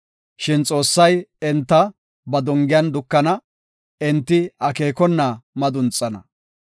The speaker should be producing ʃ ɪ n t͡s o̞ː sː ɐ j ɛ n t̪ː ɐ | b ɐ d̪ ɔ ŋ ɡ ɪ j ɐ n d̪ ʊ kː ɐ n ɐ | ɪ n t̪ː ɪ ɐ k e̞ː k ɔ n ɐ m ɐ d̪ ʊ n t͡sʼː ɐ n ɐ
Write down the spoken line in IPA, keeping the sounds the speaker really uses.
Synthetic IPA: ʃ ɪ n t͡sʼ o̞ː sː ɐ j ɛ n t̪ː ɐ | b ɐ d̪ ɔ ŋ ɡ ɪ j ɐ n d̪ ʊ kː ɐ n ɐ | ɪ n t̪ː ɪ ɐ k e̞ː k ɔ nː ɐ m ɐ d̪ ʊ n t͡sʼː ɐ n ɐ